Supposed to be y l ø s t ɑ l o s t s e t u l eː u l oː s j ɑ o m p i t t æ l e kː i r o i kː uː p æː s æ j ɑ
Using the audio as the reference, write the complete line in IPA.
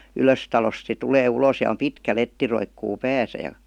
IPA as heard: y l ø s t ɑ l o s t s e t u l eː u l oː s j ɑ o m p i t k æ l e tː i r o i kː uː p æː s æ j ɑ

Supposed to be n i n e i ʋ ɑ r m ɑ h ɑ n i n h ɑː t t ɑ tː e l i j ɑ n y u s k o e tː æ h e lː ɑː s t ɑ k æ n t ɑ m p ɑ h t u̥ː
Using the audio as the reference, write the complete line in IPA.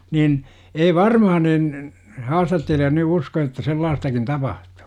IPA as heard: n i n e i ʋ ɑ r m ɑ h ɑ n i n h ɑː s t ɑ tː e l i j ɑ n y u s k o e tː æ s e lː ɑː s t ɑ k i n t ɑ p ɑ h t u̥ː

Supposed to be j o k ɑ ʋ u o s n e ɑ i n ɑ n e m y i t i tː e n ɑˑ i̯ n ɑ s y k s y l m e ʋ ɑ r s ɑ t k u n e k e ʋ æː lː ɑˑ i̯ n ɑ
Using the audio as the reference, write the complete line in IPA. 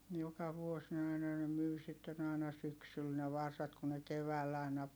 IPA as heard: j o k ɑ ʋ u o s n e ɑ i n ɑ n e m y i s i tː e n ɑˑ i̯ n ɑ s y k s y l n e ʋ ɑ r s ɑ t k u n e k e ʋ æː lː ɑˑ i̯ n ɑ

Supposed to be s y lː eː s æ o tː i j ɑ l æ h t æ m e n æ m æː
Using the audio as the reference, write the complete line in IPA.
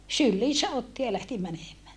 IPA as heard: s y lː iː s æ o tː i j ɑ l æ h t i m æ n e m æː

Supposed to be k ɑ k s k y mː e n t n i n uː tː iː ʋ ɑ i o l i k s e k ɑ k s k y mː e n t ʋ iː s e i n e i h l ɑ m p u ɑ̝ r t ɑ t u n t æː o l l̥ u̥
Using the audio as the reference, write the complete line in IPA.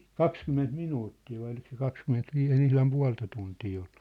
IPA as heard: k ɑ k s k y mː e n t m i n uː tː iː ʋ ɑ i o l i k s e k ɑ k s k y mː e n t ʋ iː s e i n e i h l ɑ m p u ɑ̝ l t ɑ t u n t iː o l l̥ u̥

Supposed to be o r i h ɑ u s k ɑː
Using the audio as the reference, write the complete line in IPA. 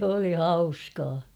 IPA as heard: o l i h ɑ u s k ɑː

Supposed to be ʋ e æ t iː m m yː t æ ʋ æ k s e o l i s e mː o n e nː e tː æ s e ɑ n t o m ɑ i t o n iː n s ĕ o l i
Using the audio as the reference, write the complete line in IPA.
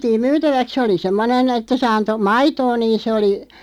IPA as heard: ʋ i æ t iː m m yː t æ ʋ æ k s e o l i s e mː o n e n e tː æ s e ɑ n t o m ɑ i t oː n iː n s ĕ o l i

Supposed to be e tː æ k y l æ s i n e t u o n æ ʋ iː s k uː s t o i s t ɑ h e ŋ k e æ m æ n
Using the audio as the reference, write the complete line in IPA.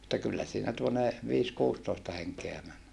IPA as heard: e tː æ k y lː æ s iː n æ t u o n e ʋ iː s k uː s t o i s t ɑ h e ŋ k e æ m æ n

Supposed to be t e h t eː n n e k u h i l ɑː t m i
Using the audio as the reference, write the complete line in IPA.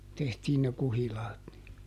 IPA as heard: t e h t iː n n e k u h i l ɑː t n i

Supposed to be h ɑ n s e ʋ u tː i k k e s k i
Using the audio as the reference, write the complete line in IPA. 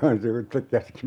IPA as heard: h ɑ n s i ʋ u tː e k k æ s k i

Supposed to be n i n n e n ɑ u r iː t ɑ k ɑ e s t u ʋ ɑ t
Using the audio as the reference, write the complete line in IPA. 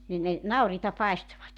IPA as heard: n i n n e n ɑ u r iː t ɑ p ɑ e s t o ʋ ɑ t

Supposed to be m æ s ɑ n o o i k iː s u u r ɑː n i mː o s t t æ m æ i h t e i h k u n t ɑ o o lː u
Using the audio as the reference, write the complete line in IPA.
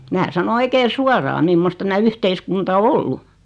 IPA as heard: m æː s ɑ n o o i k eː s u o r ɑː m i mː o s t t æ m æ y h t e i s k u n t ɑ o o lː u

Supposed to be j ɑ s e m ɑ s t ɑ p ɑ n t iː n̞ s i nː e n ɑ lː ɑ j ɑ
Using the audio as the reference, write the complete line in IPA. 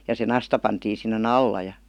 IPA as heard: j ɑ s e n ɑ s t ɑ p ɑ n t iː n̞ s i nː e n ɑ lː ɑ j ɑ

